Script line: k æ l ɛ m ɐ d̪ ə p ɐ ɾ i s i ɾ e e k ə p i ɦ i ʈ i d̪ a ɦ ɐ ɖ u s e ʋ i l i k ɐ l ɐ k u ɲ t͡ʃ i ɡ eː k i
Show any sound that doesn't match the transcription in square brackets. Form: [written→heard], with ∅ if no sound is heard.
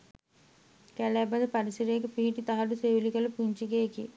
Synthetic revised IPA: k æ l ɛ [m→b] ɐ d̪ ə p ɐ ɾ i s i ɾ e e k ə p i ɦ i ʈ i [d̪→t̪] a ɦ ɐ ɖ u s e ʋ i l i k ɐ l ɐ [k→p] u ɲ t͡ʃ i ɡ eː k i